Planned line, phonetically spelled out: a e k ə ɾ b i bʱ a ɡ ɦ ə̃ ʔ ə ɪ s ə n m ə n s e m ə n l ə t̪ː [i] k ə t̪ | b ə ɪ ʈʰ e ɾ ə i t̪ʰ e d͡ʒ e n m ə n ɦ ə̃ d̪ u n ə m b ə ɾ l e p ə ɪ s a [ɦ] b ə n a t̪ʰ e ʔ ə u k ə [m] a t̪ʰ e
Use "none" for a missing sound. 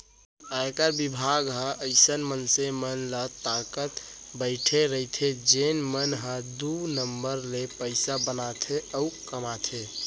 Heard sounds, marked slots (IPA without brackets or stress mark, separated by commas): a, none, m